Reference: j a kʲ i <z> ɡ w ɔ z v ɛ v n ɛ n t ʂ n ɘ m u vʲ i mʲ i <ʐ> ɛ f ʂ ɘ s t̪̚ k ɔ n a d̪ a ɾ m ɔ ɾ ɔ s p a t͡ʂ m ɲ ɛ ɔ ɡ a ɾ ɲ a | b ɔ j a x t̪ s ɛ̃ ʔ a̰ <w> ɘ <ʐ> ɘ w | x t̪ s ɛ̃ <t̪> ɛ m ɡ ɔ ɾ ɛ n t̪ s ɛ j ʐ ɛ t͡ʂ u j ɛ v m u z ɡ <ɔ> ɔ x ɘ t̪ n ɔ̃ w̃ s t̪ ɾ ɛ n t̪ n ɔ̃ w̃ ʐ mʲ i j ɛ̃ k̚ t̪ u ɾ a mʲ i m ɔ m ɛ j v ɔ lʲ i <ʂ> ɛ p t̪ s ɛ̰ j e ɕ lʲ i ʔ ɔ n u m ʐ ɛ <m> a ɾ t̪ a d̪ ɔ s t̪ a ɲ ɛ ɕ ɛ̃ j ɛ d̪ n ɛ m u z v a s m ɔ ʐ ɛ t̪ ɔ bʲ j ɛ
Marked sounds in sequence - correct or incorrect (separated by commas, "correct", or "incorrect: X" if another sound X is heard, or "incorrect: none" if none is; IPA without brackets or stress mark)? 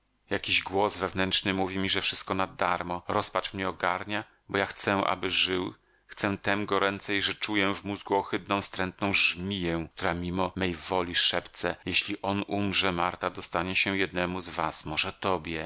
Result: incorrect: ʑ, correct, incorrect: b, correct, correct, incorrect: u, correct, correct